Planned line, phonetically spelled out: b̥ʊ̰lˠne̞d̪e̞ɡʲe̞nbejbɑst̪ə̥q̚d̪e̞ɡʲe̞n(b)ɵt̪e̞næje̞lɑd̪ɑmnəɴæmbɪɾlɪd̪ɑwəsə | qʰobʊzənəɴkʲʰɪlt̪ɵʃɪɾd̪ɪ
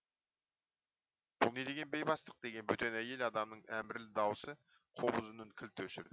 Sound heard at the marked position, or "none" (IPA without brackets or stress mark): b